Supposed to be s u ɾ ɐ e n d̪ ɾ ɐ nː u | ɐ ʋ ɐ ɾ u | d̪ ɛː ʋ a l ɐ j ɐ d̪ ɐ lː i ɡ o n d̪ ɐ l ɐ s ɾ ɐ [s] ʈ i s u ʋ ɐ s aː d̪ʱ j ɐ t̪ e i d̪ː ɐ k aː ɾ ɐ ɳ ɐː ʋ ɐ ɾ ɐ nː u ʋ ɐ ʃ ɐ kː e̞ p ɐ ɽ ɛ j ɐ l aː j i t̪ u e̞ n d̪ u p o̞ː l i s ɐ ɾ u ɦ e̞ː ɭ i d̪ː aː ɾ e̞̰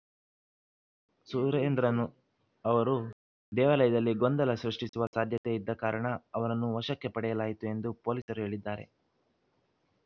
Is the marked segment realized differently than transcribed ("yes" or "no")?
yes